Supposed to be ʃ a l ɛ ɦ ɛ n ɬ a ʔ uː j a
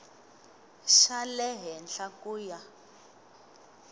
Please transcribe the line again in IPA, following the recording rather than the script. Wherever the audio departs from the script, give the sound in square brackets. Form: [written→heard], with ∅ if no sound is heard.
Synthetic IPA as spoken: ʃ a l ɛ ɦ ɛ n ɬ a [ʔ→k] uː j a